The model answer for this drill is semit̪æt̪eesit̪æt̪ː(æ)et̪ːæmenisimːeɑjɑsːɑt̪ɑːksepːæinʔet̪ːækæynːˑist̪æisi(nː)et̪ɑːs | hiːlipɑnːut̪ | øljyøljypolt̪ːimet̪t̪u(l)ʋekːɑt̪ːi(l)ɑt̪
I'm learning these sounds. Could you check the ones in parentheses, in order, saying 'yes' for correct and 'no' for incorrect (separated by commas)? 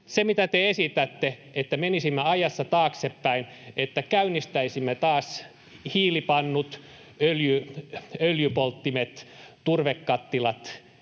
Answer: no, no, no, yes